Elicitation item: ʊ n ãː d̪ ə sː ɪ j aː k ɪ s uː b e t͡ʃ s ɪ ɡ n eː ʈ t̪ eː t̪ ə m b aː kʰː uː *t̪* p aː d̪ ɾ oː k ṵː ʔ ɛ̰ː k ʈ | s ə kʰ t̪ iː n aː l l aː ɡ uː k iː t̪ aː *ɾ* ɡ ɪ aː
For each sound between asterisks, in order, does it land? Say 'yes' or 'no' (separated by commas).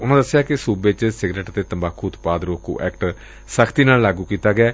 yes, no